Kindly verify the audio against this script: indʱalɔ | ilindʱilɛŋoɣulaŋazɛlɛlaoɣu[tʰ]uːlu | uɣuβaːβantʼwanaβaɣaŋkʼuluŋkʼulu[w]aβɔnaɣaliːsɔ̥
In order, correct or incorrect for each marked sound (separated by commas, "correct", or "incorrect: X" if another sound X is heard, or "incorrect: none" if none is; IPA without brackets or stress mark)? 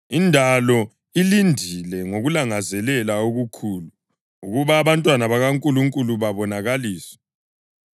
incorrect: kʰ, incorrect: β